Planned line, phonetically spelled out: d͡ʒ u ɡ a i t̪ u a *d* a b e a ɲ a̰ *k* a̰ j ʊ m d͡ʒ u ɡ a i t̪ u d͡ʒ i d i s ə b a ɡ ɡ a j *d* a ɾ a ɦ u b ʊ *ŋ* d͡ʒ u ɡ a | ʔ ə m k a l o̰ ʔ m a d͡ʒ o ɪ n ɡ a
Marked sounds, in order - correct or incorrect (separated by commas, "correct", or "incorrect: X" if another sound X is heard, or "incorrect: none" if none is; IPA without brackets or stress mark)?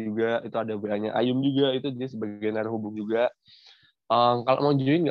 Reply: correct, incorrect: ʔ, incorrect: n, correct